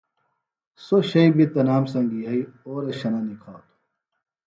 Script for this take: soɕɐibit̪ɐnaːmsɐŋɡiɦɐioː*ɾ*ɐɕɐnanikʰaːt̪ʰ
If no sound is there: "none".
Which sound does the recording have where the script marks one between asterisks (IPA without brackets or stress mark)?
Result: ɾ